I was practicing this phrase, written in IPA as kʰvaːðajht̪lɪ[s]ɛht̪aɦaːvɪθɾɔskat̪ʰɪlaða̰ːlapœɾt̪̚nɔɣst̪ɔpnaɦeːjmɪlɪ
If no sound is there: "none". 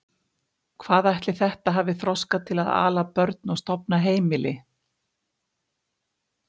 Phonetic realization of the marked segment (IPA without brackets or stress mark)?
θ